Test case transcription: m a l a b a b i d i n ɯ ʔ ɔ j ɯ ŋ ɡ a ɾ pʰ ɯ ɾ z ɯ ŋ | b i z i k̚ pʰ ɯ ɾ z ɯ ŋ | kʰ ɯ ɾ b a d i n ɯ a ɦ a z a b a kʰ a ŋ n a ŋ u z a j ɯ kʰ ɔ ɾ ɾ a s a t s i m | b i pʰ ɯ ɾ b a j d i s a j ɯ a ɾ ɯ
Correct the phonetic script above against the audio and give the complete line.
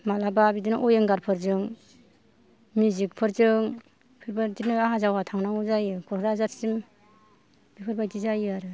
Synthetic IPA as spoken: m a l a b a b i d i n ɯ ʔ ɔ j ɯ ŋ ɡ a ɾ pʰ ɯ ɾ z ɯ ŋ | m i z i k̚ pʰ ɯ ɾ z ɯ ŋ | pʰ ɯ ɾ b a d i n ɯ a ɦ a z a w a tʰ a ŋ n a ŋ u z a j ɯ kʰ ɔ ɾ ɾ a z a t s i m | b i pʰ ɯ ɾ b a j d i z a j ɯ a ɾ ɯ

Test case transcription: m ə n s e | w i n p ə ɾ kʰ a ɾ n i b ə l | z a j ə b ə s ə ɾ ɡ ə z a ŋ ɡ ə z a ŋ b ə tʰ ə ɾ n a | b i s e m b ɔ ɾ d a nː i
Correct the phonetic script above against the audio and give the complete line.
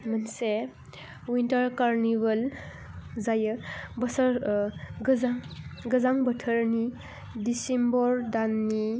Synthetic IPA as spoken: m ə n s e | w i n t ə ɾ k a ɾ n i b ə l | z a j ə b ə s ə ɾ ɡ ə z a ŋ ɡ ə z a ŋ b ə tʰ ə ɾ n i | d i s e m b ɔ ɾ d a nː i

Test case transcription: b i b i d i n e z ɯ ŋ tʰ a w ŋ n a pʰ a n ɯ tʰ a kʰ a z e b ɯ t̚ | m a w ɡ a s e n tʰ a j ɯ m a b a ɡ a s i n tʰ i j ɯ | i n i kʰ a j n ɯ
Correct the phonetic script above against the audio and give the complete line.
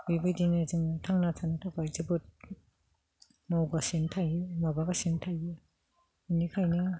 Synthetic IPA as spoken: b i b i d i n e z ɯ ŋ tʰ a ŋ n a tʰ a n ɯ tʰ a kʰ a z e b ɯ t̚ | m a w ɡ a s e n tʰ a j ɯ m a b a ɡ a s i n tʰ a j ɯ | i n i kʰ a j n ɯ

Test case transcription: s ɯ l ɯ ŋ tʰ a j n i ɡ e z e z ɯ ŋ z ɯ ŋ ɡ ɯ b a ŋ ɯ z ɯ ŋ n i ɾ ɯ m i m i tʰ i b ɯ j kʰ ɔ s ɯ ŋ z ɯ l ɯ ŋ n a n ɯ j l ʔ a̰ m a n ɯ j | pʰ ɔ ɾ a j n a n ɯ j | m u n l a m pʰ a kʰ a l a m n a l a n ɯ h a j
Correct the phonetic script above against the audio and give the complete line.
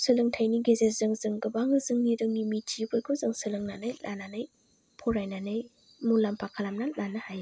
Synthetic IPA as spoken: s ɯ l ɯ ŋ tʰ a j n i ɡ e z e z ɯ ŋ z ɯ ŋ ɡ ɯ b a ŋ ɯ z ɯ ŋ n i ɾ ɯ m i m i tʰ i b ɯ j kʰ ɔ z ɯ ŋ s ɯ l ɯ ŋ n a n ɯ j l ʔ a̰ n a n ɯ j | pʰ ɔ ɾ a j n a n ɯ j | m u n l a m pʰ a kʰ a l a m n a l a n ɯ h a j

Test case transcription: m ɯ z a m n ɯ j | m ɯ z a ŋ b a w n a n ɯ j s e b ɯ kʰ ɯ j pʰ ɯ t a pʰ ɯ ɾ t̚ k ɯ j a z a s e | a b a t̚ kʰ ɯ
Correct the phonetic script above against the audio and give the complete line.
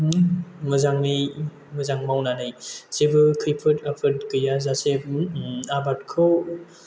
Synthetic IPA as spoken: m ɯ z a ŋ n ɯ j | m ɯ z a ŋ m a w n a n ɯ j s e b ɯ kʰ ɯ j pʰ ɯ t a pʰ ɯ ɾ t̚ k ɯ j a z a s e | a b a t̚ kʰ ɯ

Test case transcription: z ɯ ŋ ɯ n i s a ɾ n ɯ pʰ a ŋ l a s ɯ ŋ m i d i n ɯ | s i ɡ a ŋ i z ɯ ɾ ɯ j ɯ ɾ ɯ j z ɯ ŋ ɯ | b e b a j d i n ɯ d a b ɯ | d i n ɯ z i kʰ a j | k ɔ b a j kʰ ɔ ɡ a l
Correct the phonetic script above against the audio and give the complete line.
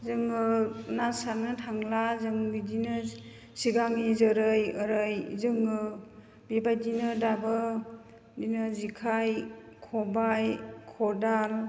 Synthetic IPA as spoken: z ɯ ŋ ɯ n a s a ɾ n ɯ tʰ a ŋ l a z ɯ ŋ b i d i n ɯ | s i ɡ a ŋ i z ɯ ɾ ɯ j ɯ ɾ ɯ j z ɯ ŋ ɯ | b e b a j d i n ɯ d a b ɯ | d i n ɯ z i kʰ a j | kʰ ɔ b a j kʰ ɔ d a l

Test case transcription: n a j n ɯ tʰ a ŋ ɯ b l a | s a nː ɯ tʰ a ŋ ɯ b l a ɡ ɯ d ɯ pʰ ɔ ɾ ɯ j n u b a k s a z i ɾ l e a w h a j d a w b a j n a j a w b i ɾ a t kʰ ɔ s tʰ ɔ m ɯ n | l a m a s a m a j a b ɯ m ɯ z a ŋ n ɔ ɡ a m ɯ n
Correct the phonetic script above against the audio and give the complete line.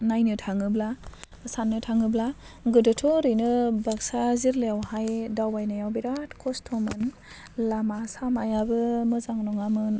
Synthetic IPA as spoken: n a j n ɯ tʰ a ŋ ɯ b l a | s a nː ɯ tʰ a ŋ ɯ b l a ɡ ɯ d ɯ tʰ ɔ ɾ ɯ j n ɯ b a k s a z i ɾ l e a w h a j d a w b a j n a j a w b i ɾ a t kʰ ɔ s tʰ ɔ m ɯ n | l a m a s a m a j a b ɯ m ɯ z a ŋ n ɔ ŋ a m ɯ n

